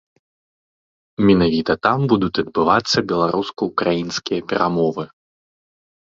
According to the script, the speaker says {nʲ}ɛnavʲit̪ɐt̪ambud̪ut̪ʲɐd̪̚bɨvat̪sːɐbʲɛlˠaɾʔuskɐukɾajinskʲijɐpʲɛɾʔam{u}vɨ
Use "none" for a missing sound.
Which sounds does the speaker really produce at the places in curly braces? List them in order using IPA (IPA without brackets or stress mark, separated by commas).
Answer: mʲ, ɔ